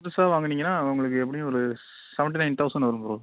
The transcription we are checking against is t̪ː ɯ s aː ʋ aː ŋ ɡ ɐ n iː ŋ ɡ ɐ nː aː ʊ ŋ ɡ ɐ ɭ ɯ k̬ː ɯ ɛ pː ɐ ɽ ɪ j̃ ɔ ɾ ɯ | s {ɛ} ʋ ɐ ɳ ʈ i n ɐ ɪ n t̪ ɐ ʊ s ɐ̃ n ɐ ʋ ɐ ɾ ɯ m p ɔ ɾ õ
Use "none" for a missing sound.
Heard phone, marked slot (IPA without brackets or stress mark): ɛ